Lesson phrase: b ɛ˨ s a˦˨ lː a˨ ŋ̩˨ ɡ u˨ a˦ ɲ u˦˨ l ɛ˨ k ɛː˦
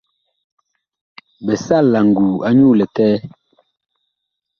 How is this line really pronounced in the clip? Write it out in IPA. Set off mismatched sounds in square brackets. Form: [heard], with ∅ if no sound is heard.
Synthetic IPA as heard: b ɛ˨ s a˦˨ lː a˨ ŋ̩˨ ɡ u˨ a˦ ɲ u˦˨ l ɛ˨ [t] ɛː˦